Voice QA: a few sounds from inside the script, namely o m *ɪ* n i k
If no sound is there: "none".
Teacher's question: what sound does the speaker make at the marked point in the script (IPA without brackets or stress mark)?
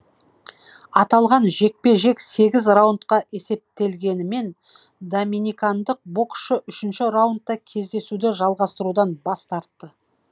i